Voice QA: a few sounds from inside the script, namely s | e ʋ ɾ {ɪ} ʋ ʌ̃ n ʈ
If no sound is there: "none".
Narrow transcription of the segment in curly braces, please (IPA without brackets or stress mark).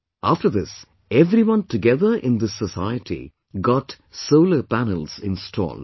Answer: i